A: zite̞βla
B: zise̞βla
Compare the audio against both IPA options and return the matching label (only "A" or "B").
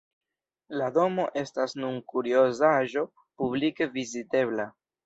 A